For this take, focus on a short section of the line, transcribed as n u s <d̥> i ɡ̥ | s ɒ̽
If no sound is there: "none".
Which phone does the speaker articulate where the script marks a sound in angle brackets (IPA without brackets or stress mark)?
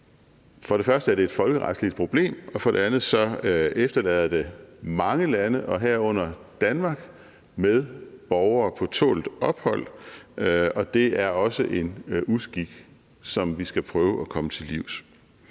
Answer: ɡ̥